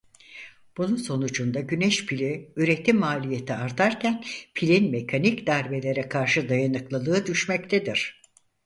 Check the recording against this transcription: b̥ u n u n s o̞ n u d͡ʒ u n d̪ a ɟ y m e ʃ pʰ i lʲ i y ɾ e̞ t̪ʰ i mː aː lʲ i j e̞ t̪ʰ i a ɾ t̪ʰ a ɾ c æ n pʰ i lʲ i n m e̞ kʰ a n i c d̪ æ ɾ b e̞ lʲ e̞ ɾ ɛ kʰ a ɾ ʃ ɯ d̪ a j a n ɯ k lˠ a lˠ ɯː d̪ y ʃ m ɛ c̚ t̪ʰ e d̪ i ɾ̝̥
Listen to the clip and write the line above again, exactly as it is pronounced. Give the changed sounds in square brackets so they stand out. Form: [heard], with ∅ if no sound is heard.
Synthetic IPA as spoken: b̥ u n u n s o̞ n u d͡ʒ u n d̪ a ɟ y [n] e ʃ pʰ i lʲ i y ɾ e̞ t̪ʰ i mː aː lʲ i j e̞ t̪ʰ i a ɾ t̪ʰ a ɾ c æ n pʰ i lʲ i n m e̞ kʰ a n i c d̪ æ ɾ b e̞ lʲ e̞ ɾ ɛ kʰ a ɾ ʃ ɯ d̪ a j a n ɯ k lˠ a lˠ ɯː d̪ y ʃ m ɛ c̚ t̪ʰ e d̪ i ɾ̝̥